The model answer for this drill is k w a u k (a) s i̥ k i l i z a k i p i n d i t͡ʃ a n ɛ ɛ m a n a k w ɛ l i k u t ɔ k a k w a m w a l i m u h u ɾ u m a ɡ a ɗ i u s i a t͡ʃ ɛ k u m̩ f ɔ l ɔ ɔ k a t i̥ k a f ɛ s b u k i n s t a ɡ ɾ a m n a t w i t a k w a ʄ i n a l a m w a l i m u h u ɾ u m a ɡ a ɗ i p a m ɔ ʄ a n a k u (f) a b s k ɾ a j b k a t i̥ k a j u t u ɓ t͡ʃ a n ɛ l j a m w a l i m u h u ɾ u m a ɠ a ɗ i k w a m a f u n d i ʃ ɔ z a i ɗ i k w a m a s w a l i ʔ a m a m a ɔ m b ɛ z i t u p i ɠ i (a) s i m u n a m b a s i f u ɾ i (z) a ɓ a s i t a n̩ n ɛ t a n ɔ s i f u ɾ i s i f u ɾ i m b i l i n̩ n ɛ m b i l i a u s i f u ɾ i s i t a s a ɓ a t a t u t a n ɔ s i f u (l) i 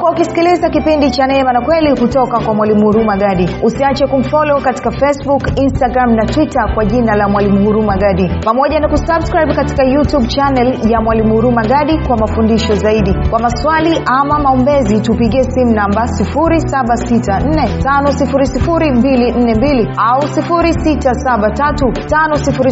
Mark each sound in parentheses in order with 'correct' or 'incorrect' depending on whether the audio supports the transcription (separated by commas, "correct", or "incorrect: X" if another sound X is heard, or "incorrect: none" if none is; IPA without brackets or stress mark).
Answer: incorrect: i, incorrect: s, incorrect: ɛ, incorrect: s, incorrect: ɾ